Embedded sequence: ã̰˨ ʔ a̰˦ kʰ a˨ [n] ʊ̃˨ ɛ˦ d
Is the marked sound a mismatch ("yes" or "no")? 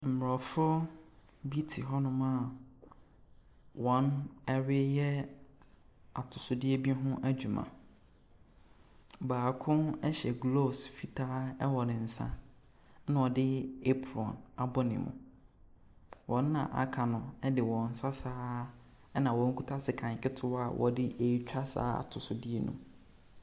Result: no